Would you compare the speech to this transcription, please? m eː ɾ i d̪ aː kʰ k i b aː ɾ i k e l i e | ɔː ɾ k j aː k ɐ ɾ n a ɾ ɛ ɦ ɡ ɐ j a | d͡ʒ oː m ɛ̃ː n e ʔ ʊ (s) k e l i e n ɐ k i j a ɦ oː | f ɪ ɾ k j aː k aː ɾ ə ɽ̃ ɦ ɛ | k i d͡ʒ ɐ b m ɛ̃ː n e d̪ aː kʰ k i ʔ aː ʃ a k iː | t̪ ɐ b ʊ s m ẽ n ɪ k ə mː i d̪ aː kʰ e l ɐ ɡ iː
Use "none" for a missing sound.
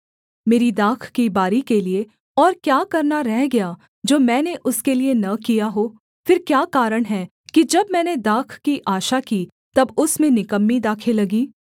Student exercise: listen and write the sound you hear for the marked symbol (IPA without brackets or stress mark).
s